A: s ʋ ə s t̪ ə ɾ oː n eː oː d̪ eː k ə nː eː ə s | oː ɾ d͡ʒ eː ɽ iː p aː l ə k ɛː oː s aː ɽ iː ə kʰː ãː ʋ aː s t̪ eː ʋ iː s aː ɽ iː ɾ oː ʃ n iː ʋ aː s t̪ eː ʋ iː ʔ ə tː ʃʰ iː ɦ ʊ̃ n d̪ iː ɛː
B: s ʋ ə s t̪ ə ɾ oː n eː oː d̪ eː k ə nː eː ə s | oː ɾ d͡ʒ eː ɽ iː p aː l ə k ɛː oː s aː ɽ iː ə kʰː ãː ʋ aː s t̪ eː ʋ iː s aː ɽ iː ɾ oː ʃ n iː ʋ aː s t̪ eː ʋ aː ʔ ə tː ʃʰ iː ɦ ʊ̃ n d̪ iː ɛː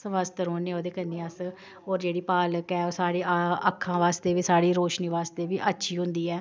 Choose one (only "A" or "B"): A